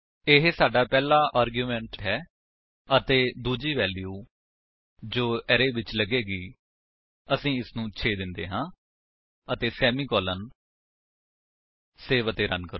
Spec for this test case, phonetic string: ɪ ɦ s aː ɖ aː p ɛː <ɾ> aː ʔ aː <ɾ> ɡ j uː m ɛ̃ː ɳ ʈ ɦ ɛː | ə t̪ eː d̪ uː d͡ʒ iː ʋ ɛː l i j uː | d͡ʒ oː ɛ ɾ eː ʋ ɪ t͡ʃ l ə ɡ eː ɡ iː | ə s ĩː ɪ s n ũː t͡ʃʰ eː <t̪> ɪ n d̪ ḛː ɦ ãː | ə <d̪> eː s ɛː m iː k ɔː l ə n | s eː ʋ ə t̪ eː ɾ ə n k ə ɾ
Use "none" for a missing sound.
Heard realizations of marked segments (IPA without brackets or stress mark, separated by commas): l, ɾ, d̪, t̪